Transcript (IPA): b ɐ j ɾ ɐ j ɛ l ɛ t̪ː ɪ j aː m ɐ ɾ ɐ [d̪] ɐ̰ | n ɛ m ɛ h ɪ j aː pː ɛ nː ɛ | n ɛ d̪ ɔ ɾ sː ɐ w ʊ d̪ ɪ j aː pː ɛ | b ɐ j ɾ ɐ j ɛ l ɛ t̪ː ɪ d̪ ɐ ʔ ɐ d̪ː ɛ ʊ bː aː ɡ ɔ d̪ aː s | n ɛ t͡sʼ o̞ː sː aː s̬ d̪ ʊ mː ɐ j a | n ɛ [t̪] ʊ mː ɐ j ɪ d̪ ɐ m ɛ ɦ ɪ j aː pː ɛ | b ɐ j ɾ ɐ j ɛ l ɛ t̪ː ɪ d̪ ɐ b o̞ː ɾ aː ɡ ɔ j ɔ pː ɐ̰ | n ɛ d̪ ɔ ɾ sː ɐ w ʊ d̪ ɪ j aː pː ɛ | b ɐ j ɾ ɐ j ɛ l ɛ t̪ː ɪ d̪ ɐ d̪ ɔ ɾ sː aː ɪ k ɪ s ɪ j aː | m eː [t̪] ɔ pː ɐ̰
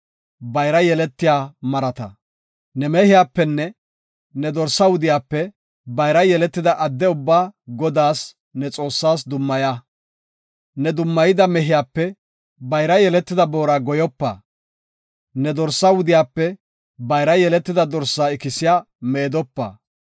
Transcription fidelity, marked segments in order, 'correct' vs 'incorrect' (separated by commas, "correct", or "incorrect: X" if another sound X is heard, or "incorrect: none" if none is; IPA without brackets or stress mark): incorrect: t̪, incorrect: d̪, incorrect: d̪